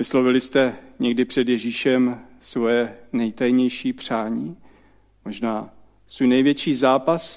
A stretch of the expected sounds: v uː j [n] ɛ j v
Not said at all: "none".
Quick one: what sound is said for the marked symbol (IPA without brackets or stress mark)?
n